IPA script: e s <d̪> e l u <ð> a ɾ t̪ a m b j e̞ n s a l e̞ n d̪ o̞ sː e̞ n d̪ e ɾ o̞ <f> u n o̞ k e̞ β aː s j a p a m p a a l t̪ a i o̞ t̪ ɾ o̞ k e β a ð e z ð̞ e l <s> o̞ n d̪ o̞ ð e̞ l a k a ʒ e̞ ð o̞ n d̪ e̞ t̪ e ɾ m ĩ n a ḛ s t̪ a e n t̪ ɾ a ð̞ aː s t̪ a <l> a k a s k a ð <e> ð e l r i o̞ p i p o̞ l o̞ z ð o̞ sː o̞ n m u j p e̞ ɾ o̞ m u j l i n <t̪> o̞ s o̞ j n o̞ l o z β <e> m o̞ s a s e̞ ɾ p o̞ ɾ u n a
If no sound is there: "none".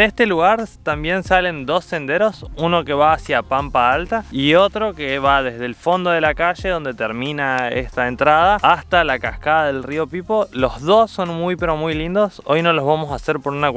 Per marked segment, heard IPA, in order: t̪, ɣ, s, f, l, a, d̪, a

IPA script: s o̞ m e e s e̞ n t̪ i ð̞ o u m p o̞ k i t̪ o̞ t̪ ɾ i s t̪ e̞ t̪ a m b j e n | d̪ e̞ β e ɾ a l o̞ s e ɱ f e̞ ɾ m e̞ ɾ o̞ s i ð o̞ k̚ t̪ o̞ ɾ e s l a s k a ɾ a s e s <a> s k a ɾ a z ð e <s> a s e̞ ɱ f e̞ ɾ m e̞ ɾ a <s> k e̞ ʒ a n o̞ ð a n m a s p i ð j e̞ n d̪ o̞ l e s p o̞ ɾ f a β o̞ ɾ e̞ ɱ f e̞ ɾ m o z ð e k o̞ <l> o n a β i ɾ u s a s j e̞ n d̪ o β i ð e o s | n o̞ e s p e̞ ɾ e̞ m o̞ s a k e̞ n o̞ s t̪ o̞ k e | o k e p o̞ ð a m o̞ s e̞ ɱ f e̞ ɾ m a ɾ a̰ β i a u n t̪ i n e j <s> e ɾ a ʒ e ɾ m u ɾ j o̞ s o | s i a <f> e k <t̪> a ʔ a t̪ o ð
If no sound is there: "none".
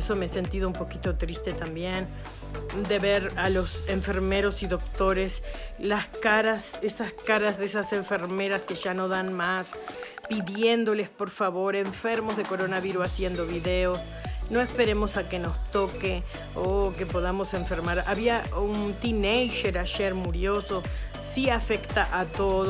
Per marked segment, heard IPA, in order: a, s, s, ɾ, ʃ, f, t̪

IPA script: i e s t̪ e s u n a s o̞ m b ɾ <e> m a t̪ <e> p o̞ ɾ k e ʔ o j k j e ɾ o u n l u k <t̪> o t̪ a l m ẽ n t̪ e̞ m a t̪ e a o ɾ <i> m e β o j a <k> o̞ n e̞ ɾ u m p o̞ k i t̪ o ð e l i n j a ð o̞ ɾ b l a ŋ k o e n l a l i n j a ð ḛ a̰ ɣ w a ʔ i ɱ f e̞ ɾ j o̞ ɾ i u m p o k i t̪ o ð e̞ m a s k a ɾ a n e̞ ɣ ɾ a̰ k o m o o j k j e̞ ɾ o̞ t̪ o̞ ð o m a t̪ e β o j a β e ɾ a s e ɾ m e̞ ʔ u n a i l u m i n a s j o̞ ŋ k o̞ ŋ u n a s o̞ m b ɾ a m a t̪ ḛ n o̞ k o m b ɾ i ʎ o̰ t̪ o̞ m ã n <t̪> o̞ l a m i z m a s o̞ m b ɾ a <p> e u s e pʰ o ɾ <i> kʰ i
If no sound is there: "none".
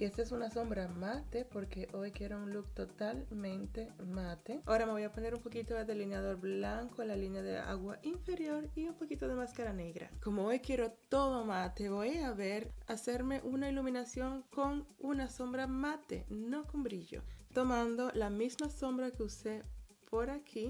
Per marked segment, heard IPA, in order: a, e, t̪, a, p, d̪, k, a

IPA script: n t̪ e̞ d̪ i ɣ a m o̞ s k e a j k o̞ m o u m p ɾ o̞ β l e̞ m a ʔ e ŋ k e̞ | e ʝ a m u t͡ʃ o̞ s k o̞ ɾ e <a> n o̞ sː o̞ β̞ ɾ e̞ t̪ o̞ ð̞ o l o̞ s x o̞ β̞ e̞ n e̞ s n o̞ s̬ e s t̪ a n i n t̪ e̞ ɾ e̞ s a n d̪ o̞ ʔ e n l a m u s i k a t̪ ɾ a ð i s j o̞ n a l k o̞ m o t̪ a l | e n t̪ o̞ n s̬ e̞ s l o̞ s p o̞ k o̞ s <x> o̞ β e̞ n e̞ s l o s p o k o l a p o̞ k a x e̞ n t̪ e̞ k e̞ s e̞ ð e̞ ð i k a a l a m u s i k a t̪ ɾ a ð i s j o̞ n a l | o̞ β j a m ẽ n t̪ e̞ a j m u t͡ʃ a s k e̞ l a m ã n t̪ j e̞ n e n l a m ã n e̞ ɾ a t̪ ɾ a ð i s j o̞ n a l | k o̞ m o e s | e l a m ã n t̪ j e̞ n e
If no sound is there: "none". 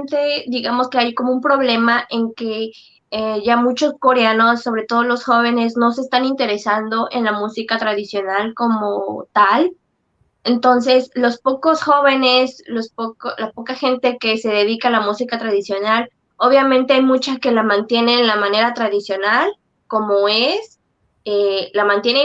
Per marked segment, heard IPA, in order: a, x

